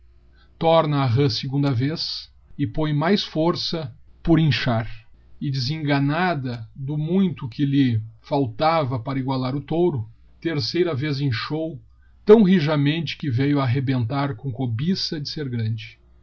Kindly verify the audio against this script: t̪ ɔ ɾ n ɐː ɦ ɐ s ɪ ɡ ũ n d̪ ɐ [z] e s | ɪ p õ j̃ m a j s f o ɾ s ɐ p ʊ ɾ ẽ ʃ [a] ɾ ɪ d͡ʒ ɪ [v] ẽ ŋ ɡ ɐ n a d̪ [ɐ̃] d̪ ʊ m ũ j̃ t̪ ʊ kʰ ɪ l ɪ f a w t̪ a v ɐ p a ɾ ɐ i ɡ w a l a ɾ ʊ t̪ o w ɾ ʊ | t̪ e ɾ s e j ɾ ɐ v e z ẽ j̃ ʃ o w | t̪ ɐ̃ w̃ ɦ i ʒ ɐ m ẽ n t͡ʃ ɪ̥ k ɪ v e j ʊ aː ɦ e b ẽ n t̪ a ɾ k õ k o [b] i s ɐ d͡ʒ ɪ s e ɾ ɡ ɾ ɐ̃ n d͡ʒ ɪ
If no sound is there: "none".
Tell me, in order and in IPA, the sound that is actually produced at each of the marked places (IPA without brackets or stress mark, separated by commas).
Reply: v, a, z, ɐ, b